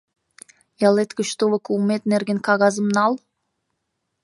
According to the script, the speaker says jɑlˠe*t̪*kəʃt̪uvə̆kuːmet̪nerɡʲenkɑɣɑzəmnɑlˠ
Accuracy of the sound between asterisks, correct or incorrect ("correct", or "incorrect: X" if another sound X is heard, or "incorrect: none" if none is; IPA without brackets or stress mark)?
correct